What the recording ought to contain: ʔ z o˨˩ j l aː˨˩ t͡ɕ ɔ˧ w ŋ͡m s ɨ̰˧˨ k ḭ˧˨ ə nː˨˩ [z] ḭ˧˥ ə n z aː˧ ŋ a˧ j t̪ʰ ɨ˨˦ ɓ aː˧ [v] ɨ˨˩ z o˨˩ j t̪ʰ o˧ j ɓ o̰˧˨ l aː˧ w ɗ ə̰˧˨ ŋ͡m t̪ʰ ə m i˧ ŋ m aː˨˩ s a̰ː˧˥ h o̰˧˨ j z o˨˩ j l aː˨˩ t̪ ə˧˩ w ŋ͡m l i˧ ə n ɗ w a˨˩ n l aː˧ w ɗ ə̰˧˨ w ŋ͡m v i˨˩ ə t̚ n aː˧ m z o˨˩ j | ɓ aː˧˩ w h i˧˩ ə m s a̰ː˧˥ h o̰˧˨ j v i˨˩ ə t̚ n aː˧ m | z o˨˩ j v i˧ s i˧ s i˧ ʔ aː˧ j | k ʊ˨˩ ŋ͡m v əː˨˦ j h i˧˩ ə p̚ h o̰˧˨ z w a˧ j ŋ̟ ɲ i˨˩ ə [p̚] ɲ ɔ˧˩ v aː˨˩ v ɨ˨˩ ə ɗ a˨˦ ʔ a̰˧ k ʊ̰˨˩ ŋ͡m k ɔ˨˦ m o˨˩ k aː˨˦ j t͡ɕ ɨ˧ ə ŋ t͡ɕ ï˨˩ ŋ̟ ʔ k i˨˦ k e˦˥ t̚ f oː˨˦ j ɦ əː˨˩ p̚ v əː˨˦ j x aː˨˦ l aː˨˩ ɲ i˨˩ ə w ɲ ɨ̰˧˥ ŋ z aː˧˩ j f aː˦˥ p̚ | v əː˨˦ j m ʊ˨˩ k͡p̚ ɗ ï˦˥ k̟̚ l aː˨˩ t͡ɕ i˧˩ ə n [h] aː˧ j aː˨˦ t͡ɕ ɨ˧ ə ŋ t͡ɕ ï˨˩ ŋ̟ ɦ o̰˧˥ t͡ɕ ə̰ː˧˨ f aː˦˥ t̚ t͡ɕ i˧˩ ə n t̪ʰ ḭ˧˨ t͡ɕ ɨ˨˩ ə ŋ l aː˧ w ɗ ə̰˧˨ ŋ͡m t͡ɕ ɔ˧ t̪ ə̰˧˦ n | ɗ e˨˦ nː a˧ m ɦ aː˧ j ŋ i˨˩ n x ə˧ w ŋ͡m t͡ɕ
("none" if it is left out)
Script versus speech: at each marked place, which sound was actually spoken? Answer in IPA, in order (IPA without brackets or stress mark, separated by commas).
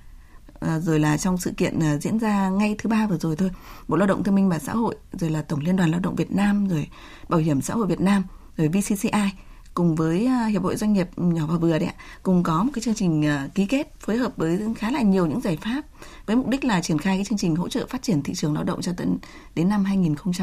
z, v, p̚, x